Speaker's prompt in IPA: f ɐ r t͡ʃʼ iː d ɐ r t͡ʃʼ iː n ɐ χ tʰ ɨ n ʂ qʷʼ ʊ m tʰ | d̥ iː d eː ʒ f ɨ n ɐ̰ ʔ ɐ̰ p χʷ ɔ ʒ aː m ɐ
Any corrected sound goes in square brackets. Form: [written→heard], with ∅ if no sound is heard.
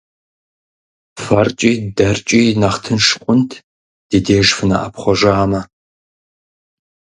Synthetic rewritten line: f ɐ r t͡ʃʼ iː d ɐ r t͡ʃʼ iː n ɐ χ tʰ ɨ n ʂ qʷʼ ʊ [m→n] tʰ | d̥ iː d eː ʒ f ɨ n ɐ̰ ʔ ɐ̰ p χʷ ɔ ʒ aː m ɐ